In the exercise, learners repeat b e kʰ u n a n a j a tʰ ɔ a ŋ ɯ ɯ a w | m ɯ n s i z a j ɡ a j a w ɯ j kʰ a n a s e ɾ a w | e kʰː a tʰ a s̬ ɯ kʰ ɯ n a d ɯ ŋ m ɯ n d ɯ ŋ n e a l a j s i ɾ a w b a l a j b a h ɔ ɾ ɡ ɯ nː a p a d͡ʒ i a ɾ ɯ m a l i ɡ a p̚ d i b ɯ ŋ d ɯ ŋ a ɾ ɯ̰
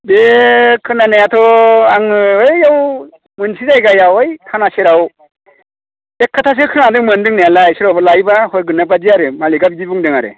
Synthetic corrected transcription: b e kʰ ɯ n a n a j a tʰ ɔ a ŋ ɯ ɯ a w | m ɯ n s i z a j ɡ a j a w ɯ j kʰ a n a s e ɾ a w | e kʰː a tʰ a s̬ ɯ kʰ ɯ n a d ɯ ŋ m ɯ n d ɯ ŋ n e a l a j s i ɾ a w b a l a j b a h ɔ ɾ ɡ ɯ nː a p a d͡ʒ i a ɾ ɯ m a l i ɡ a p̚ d i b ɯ ŋ d ɯ ŋ a ɾ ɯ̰